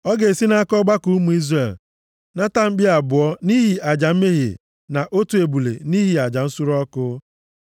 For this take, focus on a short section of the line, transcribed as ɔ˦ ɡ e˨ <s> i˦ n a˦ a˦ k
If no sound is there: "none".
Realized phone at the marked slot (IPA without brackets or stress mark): s